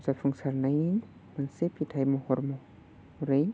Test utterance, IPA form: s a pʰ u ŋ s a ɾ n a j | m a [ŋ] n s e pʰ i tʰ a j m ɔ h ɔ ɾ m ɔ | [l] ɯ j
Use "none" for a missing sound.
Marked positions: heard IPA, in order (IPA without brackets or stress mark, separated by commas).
none, ɾ